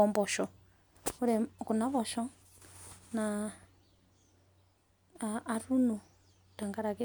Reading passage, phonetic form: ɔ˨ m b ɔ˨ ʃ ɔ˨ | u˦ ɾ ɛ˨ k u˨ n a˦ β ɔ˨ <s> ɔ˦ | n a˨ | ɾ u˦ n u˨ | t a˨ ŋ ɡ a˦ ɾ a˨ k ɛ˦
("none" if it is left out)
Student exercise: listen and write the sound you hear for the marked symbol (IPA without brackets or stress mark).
ʃ